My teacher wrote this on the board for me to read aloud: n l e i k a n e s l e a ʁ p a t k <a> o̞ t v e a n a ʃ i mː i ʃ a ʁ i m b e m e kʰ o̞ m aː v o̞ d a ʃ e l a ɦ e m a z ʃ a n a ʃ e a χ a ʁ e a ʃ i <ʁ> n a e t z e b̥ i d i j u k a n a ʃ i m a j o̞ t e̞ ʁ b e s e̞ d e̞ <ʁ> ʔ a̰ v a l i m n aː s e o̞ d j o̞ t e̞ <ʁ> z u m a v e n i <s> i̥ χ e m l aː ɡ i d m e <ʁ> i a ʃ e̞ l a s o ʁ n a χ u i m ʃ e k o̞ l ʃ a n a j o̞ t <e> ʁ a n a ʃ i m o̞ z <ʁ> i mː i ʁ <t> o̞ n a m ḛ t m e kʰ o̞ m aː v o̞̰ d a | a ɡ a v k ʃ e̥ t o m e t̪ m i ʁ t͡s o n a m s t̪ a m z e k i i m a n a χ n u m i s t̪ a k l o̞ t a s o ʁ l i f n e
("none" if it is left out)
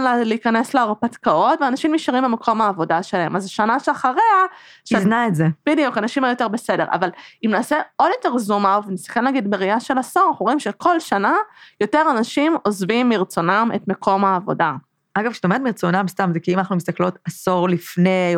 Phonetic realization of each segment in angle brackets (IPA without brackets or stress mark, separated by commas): a, z, ʁ, ʁ, s, ʁ, e, v, t͡s